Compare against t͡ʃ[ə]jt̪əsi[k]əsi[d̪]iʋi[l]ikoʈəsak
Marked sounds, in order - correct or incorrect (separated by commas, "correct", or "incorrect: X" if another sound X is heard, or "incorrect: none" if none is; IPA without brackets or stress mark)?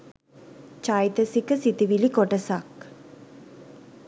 incorrect: a, correct, incorrect: t̪, correct